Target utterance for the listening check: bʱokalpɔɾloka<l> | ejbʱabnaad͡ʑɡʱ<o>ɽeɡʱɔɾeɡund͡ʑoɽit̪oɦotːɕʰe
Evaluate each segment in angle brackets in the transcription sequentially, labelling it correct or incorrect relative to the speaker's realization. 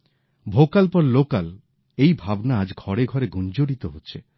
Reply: correct, incorrect: ɔ

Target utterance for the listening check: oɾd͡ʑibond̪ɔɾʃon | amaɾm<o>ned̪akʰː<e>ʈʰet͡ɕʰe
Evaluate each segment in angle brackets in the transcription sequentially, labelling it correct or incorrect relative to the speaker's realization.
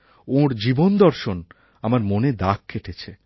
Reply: correct, correct

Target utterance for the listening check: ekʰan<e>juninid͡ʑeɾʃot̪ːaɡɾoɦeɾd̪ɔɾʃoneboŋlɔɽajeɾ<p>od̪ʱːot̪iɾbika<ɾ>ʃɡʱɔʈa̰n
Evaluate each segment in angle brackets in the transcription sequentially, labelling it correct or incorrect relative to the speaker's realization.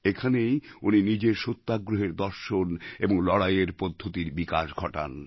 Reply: correct, correct, incorrect: none

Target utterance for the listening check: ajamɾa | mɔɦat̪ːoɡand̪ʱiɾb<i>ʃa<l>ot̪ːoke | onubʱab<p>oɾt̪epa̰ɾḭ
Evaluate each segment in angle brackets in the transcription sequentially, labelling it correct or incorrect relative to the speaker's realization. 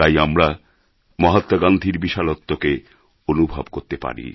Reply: correct, correct, incorrect: k

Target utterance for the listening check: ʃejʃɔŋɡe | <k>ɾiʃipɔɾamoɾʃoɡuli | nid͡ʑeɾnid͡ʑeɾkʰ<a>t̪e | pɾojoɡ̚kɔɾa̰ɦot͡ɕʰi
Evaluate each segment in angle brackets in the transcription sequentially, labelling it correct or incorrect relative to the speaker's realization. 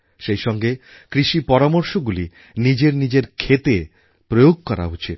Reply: correct, incorrect: e

